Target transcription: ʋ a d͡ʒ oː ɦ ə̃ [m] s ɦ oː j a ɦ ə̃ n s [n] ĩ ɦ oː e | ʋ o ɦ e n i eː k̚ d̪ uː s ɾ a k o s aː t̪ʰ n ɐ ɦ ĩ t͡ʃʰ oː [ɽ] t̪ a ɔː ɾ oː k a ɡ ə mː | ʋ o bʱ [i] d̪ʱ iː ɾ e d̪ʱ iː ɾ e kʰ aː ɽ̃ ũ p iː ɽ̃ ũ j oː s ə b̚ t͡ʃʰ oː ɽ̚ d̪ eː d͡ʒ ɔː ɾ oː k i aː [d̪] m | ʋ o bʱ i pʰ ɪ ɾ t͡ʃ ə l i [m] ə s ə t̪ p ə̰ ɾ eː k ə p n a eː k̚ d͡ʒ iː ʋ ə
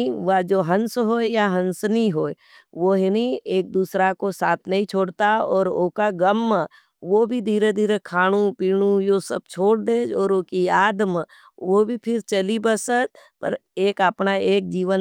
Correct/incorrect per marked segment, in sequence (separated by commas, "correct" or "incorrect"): incorrect, correct, correct, correct, correct, incorrect